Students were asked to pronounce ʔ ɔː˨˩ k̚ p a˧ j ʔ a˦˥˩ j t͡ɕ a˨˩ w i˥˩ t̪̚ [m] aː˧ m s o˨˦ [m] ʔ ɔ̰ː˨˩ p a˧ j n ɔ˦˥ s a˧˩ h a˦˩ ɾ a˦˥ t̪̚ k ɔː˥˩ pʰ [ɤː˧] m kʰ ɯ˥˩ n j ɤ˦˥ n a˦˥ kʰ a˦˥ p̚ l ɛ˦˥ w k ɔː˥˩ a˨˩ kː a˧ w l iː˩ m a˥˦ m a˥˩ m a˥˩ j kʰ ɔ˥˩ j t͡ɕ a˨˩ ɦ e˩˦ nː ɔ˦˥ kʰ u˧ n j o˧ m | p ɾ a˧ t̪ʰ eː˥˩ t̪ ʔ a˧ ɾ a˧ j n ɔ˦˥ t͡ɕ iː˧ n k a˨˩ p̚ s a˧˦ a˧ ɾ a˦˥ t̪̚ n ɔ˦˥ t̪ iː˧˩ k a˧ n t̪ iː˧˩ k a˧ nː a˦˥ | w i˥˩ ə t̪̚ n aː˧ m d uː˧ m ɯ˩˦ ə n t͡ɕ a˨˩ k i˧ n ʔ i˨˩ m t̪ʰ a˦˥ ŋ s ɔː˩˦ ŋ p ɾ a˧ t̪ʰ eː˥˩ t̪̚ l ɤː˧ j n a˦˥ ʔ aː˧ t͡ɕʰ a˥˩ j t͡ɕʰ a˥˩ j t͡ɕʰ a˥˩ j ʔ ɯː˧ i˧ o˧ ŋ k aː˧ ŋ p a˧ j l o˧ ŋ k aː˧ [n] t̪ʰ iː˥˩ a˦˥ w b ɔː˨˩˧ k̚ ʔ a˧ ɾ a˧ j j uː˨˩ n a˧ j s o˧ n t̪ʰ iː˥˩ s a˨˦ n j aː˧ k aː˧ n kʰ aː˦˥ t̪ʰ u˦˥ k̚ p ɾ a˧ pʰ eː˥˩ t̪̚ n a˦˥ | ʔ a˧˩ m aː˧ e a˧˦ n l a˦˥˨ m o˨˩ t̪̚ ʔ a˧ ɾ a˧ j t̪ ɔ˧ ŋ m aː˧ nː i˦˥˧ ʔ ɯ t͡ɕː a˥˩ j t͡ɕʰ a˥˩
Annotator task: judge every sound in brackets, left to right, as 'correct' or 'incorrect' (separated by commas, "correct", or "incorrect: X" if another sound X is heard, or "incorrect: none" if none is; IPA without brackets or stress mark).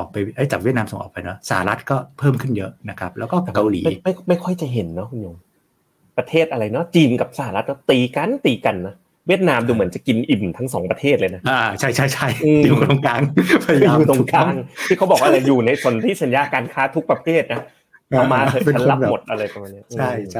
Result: incorrect: n, incorrect: ŋ, incorrect: ɤː˥˩, incorrect: ŋ